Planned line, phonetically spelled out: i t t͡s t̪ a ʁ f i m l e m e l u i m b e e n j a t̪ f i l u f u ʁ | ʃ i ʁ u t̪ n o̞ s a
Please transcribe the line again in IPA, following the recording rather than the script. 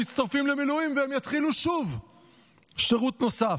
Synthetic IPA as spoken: i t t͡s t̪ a ʁ f i m l e m i l u i m v e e m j a t̪ χ i l u ʃ u v | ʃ e ʁ u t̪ n o̞ s a